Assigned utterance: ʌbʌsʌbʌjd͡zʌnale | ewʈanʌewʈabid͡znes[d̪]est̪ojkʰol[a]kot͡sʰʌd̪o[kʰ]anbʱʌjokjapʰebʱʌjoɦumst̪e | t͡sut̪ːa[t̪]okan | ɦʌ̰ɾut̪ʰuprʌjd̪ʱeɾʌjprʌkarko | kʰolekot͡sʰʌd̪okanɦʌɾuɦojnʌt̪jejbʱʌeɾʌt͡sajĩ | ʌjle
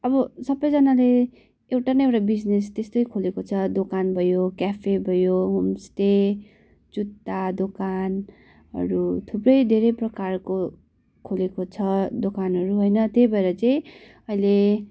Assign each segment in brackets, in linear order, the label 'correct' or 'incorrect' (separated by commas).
incorrect, incorrect, incorrect, incorrect